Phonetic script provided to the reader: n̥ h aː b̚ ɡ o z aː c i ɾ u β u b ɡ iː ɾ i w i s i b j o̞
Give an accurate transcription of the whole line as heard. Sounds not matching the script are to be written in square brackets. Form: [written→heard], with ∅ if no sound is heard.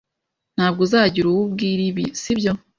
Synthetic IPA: n̥ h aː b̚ ɡ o z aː [c→ɟ] i ɾ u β u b ɡ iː ɾ i [w→β] i s i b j o̞